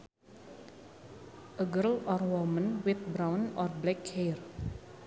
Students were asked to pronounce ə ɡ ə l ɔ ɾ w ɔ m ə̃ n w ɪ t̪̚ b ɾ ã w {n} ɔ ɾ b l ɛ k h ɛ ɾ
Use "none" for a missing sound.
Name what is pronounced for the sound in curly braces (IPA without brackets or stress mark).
n